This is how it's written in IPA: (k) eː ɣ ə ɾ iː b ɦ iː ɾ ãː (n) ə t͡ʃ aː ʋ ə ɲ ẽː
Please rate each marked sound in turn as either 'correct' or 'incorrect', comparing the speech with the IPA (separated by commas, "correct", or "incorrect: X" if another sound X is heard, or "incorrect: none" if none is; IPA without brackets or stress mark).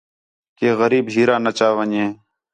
correct, correct